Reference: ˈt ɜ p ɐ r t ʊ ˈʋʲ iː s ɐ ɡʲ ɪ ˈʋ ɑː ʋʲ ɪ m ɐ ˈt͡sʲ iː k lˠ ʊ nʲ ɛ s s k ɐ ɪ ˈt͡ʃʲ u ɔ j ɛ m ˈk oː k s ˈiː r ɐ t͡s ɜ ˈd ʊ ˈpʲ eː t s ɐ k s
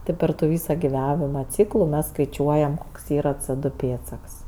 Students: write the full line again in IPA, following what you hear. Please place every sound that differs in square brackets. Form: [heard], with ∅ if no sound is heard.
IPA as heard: ˈt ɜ p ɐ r t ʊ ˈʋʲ iː s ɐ ɡʲ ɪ ˈʋ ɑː ʋʲ ɪ m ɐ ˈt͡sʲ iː k lˠ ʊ [mʲ] ɛ s s k ɐ ɪ ˈt͡ʃʲ u ɔ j ɛ m ˈk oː k s ˈiː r ɐ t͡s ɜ ˈd ʊ ˈpʲ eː t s ɐ k s